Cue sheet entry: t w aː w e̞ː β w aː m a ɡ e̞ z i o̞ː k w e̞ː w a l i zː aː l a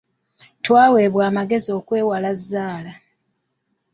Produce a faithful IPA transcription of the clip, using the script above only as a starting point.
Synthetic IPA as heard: t w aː w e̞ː β w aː m a ɡ e̞ z i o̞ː k w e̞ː w a l a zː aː l a

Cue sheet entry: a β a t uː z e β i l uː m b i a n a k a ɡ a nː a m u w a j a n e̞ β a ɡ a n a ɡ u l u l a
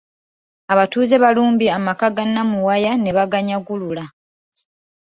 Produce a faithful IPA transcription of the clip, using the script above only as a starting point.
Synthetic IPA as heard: a β a t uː z e β a l uː m b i a m a k a ɡ a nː a m u w a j a n e̞ β a ɡ a ɲ a ɡ u l u l a

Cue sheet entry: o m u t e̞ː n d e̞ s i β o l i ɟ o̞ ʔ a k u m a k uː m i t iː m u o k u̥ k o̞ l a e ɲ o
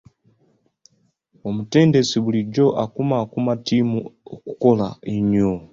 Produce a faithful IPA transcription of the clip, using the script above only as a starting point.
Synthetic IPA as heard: o m u t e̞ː n d e̞ s i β u l i ɟ o̞ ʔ a k u m a k u m a t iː m u o k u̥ k o̞ l a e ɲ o

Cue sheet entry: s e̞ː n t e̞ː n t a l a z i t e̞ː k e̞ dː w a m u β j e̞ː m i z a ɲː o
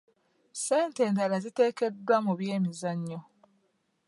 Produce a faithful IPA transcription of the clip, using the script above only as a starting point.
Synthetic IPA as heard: s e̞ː n t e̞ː n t a l a z i t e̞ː k e̞ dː w a m u β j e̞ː m i z a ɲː o

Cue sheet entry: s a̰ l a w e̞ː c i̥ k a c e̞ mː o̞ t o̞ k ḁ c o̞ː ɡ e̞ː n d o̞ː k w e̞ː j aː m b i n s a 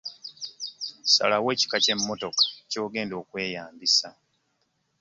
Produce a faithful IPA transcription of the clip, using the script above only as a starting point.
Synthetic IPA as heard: s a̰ l a w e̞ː c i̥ k a c e̞ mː o̞ t o̞ k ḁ c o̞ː ɡ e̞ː n d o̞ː k w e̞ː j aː m b i s a

